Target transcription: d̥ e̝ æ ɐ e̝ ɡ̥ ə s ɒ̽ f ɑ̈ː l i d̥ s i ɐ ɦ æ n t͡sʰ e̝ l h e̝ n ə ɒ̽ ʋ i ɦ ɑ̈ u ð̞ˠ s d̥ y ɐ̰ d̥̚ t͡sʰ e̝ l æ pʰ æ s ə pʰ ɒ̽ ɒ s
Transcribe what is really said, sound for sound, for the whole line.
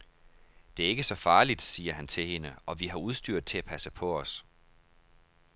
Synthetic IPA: d̥ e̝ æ ɐ e̝ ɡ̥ ə s ɒ̽ f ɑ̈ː l i d̥ s iː ɐ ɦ æ n t͡sʰ e̝ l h e̝ n ə ɒ̽ ʋ i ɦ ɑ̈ u ð̞ˠ s d̥ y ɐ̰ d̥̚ t͡sʰ e̝ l æ pʰ æ s ə pʰ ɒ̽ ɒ s